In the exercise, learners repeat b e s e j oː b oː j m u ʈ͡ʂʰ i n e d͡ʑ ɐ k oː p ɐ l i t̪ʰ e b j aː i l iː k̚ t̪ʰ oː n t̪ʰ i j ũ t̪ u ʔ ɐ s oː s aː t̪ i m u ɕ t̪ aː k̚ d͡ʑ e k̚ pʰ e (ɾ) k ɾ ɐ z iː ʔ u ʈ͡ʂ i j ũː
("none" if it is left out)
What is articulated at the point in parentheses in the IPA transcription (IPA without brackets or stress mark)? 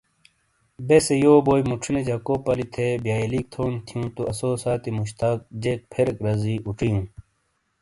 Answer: ɾ